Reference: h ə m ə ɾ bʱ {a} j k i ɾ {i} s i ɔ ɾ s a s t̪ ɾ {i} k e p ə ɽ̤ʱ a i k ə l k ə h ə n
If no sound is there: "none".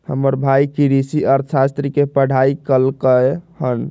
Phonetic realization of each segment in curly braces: a, i, i

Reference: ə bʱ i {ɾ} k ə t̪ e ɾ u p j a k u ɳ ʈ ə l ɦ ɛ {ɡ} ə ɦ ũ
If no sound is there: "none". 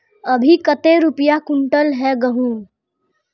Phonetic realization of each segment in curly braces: none, ɡ

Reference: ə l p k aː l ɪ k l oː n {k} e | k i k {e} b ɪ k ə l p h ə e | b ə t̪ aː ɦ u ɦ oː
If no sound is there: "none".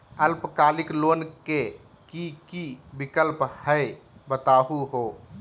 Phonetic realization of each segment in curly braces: k, i

